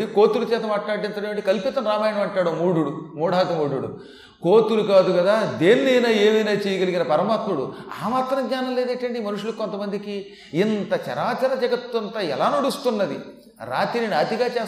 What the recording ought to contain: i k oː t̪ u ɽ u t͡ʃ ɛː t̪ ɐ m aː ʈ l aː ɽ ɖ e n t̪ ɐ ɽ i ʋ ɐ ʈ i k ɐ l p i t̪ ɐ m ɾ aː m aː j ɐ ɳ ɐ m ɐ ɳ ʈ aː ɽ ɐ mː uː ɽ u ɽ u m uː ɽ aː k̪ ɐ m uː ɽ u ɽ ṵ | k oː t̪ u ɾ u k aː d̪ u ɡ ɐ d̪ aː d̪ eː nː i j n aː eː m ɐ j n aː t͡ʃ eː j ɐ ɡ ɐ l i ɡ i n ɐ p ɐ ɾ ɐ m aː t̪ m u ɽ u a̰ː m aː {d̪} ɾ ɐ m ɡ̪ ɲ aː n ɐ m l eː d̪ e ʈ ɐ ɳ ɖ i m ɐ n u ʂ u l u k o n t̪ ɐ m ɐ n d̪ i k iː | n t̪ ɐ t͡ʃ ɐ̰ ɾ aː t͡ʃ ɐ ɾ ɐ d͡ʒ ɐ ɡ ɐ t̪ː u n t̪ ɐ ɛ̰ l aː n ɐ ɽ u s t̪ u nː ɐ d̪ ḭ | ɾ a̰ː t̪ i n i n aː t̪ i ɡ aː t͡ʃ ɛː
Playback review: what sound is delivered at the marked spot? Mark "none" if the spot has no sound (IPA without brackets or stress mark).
t̪